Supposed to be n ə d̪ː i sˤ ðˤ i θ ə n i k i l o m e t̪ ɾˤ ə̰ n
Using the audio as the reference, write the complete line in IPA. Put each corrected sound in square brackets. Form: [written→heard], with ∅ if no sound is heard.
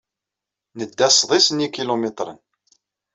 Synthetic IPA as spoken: n ə d̪ː [i→æ] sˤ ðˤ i [θ→s] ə n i k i l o m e t̪ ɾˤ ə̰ n